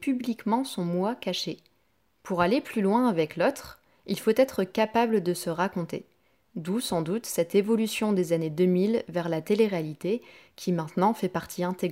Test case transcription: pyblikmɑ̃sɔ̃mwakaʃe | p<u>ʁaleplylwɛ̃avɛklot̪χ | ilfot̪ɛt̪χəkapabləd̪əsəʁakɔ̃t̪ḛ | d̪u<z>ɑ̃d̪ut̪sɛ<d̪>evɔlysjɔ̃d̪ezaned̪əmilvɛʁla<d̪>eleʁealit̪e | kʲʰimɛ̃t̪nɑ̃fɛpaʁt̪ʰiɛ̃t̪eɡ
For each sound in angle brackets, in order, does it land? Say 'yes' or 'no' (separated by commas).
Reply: yes, no, no, no